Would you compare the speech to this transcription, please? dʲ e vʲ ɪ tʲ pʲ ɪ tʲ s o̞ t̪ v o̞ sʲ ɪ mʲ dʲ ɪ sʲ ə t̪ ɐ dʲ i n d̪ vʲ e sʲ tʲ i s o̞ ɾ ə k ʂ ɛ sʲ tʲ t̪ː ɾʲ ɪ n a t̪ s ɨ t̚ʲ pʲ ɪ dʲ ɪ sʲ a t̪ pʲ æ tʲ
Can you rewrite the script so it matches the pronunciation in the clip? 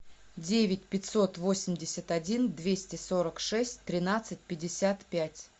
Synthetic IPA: dʲ e vʲ ɪ tʲ pʲ ɪ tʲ s o̞ t̪ v o̞ sʲ ɪ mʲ dʲ ɪ sʲ ə t̪ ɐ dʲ i n d̪ vʲ e sʲ tʲ ɪ s o̞ ɾ ə k ʂ ɛ sʲ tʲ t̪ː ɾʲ ɪ n a t̪ s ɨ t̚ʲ pʲ ɪ dʲ ɪ sʲ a t̪ pʲ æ tʲ